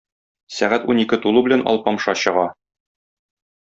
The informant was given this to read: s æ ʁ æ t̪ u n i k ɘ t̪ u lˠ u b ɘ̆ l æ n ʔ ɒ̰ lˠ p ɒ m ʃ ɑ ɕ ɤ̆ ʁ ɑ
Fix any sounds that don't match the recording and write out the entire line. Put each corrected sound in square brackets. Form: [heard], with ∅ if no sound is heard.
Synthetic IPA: s æ ʁ æ t̪ u n i k ɘ t̪ u lˠ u b ɘ̆ l æ n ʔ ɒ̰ lˠ p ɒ m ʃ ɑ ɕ ɤ̆ ʁ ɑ